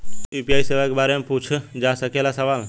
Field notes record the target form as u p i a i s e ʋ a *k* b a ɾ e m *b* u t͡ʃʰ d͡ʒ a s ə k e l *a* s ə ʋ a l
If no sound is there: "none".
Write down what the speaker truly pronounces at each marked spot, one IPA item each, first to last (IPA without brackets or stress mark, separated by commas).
k, p, a